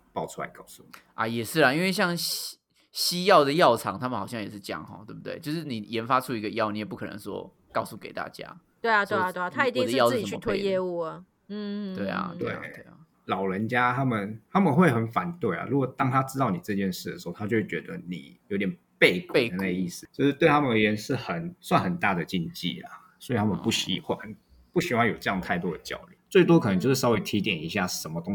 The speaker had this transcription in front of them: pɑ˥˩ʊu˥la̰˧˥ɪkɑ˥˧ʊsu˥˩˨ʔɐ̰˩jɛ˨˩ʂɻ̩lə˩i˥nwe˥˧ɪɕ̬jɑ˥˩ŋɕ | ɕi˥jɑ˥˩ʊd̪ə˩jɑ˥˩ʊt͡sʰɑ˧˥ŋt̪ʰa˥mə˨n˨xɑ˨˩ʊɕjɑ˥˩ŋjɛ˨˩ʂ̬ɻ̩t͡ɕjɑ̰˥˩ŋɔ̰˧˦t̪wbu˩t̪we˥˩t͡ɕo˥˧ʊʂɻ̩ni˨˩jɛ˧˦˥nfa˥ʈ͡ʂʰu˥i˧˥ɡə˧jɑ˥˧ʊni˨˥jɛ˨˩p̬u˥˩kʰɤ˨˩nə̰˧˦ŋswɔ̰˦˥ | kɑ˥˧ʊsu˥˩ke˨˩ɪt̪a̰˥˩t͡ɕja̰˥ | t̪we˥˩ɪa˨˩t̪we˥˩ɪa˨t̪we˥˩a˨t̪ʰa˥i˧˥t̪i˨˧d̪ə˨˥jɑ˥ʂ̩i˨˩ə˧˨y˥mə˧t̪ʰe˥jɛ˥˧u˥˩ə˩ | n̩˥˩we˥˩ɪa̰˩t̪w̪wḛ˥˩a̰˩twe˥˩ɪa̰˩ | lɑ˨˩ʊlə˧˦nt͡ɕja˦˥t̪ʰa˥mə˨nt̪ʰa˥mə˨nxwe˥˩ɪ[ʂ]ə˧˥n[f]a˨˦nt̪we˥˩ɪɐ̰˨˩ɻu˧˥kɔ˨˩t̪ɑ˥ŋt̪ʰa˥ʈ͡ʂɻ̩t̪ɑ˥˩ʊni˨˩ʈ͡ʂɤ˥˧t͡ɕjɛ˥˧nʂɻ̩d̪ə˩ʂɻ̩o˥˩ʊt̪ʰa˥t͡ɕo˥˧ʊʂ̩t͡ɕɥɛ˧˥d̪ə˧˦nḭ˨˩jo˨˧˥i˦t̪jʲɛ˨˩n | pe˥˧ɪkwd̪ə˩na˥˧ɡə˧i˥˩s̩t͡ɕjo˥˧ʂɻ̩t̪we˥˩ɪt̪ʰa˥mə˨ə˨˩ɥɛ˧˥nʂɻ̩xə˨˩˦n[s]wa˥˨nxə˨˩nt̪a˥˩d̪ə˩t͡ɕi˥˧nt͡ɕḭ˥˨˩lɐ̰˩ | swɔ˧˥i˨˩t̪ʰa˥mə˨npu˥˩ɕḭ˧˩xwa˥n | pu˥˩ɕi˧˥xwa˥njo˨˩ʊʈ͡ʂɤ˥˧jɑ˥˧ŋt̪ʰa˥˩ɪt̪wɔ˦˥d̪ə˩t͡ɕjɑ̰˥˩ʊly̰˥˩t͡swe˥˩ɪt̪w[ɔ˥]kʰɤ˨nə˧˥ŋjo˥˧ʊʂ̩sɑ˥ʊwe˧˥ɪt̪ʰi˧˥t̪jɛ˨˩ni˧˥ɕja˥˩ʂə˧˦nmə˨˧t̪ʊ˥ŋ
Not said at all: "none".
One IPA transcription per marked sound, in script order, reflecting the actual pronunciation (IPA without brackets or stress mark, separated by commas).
x, f, s, ɔ˥